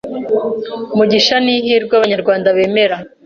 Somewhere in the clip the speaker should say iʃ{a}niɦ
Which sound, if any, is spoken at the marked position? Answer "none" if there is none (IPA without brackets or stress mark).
a